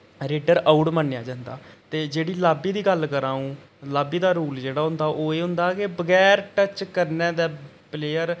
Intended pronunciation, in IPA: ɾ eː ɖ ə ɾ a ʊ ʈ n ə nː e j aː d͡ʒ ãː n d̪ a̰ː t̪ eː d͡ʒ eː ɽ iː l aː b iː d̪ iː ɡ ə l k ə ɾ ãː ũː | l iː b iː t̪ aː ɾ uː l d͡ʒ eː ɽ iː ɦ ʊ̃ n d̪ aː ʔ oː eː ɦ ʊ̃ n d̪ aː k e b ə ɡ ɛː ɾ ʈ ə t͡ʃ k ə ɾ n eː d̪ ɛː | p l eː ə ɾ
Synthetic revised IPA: ɾ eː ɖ ə ɾ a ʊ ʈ m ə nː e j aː d͡ʒ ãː n d̪ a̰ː t̪ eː d͡ʒ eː ɽ iː l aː b iː d̪ iː ɡ ə l k ə ɾ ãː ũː | l aː b iː d̪ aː ɾ uː l d͡ʒ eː ɽ aː ɦ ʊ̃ n d̪ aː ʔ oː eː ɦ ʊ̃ n d̪ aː k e b ə ɡ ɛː ɾ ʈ ə t͡ʃ k ə ɾ n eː d̪ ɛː | p l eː ə ɾ

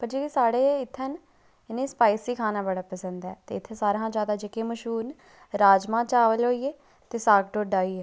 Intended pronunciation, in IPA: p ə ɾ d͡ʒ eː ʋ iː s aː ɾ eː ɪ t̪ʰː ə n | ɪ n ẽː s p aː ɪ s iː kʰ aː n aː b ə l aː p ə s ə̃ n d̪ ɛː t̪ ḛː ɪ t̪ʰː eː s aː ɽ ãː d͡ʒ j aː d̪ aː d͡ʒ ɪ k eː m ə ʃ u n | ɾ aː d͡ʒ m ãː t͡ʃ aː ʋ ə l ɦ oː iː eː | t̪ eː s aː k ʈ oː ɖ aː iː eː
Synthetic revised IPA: p ə ɾ d͡ʒ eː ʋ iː s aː ɽ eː ɪ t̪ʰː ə n | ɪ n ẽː s p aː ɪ s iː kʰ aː n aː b ə ɽ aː p ə s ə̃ n d̪ ɛː t̪ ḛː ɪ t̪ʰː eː s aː ɾ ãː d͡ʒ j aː d̪ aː d͡ʒ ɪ k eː m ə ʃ uː n | ɾ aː d͡ʒ m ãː t͡ʃ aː ʋ ə l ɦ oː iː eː | t̪ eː s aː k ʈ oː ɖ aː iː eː

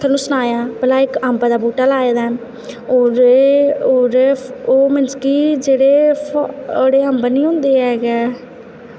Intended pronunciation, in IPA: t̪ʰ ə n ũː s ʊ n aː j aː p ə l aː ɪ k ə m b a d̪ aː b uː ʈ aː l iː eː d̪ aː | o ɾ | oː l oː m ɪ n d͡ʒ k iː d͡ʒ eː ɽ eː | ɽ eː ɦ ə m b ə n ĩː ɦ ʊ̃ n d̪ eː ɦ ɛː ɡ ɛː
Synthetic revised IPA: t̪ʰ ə n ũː s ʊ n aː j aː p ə l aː ɪ k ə m b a d̪ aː b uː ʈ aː l aː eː d̪ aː | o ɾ | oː ɾ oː m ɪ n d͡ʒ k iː d͡ʒ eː ɽ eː | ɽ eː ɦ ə m b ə n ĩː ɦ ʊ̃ n d̪ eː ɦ ɛː ɡ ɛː

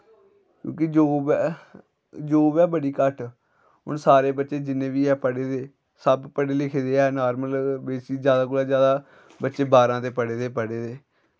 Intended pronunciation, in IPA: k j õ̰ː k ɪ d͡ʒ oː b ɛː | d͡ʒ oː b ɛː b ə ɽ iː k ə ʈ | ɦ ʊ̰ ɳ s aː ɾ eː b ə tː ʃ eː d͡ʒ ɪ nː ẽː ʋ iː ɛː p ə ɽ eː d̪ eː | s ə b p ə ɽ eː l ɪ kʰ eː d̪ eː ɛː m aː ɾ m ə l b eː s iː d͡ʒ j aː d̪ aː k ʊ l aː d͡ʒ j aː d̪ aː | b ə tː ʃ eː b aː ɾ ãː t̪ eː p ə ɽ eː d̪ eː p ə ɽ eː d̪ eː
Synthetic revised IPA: k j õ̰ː k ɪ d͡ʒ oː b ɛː | d͡ʒ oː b ɛː b ə ɽ iː k ə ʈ | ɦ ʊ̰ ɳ s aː ɾ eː b ə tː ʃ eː d͡ʒ ɪ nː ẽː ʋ iː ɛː p ə ɽ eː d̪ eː | s ə b p ə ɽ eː l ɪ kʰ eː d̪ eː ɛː n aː ɾ m ə l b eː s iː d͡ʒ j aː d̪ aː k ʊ l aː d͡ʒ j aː d̪ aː | b ə tː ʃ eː b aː ɾ ãː t̪ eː p ə ɽ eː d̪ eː p ə ɽ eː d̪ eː

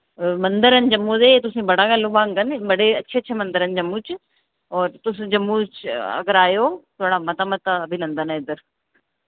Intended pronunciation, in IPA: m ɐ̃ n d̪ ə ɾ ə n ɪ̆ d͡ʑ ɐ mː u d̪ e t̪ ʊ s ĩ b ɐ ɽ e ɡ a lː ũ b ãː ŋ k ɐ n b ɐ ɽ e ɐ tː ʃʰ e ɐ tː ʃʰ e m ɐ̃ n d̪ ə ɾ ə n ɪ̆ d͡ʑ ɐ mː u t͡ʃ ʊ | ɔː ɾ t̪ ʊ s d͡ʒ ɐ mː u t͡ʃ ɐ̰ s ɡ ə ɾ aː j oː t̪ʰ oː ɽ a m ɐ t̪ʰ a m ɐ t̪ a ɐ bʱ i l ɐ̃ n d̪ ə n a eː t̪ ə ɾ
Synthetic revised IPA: m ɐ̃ n d̪ ə ɾ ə n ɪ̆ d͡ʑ ɐ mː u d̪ e t̪ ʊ s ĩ b ɐ ɽ a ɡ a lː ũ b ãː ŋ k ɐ n b ɐ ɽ e ɐ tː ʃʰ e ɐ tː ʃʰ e m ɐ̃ n d̪ ə ɾ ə n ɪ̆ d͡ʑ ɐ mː u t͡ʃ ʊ | ɔː ɾ t̪ ʊ s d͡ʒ ɐ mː u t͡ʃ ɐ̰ ɡ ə ɾ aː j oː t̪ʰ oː ɽ a m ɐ t̪ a m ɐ t̪ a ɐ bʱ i l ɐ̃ n d̪ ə n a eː d̪ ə ɾ

